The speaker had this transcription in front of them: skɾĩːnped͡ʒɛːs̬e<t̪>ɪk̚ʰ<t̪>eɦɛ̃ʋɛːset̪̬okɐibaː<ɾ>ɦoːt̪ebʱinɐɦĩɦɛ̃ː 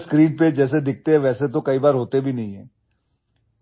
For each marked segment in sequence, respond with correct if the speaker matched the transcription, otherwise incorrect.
incorrect, correct, correct

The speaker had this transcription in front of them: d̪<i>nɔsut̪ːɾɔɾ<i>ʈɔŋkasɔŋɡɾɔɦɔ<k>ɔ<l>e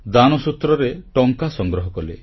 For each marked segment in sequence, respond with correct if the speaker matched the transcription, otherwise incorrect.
incorrect, incorrect, correct, correct

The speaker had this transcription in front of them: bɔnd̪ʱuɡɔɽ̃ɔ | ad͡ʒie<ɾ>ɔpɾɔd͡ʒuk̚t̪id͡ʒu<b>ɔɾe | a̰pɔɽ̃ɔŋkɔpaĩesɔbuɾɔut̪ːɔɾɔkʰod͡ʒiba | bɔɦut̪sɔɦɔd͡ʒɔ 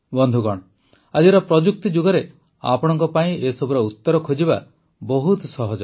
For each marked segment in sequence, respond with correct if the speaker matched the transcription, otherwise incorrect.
correct, incorrect

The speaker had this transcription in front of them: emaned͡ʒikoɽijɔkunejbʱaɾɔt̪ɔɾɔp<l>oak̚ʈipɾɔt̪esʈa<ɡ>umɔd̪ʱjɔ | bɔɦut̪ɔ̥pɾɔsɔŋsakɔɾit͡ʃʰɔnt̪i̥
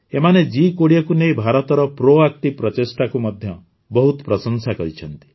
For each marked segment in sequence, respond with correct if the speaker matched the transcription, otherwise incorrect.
incorrect, incorrect

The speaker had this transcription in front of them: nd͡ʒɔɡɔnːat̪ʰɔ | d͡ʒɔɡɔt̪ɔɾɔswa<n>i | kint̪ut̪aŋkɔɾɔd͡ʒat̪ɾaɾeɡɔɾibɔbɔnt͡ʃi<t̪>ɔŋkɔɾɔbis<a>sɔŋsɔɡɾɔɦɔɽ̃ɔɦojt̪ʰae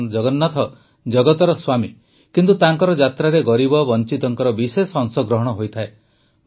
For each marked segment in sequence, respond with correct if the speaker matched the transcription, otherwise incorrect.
incorrect, correct, incorrect

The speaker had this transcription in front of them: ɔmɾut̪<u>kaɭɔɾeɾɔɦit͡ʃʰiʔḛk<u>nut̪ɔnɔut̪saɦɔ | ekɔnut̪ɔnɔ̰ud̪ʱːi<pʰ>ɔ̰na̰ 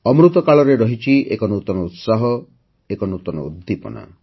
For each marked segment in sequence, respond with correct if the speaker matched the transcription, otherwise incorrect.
incorrect, incorrect, incorrect

